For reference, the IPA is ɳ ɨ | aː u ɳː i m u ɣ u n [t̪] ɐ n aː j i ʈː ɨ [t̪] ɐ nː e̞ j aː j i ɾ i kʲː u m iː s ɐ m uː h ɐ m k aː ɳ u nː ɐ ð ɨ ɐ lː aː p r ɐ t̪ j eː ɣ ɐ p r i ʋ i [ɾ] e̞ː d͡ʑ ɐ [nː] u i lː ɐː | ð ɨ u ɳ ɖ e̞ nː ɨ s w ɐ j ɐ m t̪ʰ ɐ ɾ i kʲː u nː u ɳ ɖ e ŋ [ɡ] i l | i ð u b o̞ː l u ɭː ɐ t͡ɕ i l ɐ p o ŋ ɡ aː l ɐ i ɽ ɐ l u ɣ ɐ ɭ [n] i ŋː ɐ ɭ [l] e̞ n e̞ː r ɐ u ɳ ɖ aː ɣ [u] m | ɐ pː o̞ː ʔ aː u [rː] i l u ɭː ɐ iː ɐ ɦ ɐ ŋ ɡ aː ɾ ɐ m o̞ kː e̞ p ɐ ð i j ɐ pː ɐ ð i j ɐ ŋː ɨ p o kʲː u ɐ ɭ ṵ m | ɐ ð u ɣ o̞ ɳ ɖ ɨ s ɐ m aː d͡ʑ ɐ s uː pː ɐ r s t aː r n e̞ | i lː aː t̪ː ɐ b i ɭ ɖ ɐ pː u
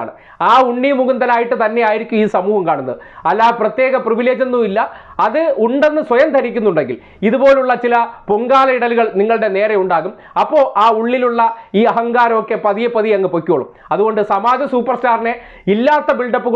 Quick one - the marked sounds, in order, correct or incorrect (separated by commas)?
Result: incorrect, correct, incorrect, correct, correct, correct, incorrect, correct, incorrect